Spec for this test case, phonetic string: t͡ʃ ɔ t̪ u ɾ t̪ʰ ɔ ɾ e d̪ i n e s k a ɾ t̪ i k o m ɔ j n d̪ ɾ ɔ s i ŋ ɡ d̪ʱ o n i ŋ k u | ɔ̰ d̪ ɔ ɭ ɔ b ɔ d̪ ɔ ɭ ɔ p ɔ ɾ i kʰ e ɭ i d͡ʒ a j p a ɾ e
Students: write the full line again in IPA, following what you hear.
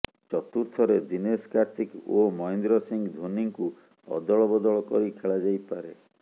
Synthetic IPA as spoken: t͡ʃ ɔ t̪ u ɾ t̪ʰ ɔ ɾ e d̪ i n e s k a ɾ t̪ i k o m ɔ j n d̪ ɾ ɔ s i ŋ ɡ d̪ʱ o n i ŋ k u | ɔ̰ d̪ ɔ ɭ ɔ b ɔ d̪ ɔ ɭ ɔ k ɔ ɾ i kʰ e ɭ a d͡ʒ a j p a ɾ e